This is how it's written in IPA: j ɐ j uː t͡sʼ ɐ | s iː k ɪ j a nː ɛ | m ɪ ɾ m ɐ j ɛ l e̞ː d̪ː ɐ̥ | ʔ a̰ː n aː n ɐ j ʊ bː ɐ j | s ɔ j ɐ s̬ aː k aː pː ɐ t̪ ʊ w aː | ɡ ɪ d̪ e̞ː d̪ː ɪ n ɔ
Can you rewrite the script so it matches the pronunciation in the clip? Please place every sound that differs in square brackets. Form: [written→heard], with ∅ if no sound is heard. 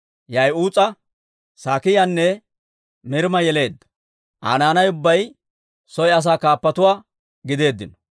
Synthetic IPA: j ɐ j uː t͡sʼ ɐ | s [iː→aː] k ɪ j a nː ɛ | m ɪ ɾ m ɐ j ɛ l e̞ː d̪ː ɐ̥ | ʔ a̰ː n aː n ɐ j ʊ bː ɐ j | s ɔ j ɐ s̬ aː k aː pː ɐ t̪ ʊ w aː | ɡ ɪ d̪ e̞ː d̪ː ɪ n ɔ